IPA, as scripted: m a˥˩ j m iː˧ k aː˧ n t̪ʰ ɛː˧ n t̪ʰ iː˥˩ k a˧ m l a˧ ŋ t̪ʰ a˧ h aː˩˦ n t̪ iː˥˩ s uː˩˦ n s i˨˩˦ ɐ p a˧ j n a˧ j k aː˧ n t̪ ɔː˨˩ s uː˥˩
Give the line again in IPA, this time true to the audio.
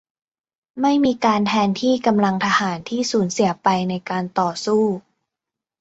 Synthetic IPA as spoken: m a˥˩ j m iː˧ k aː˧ n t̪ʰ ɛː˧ n t̪ʰ iː˥˩ k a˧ m l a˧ ŋ t̪ʰ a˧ h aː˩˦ n t̪ʰ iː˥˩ s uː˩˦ n s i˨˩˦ ɐ p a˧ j n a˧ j k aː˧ n t̪ ɔː˨˩ s uː˥˩